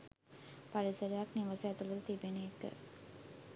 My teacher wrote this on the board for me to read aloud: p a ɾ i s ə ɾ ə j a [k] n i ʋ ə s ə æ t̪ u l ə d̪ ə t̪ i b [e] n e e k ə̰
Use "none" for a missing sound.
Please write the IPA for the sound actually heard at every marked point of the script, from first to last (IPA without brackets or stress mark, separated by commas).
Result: k, e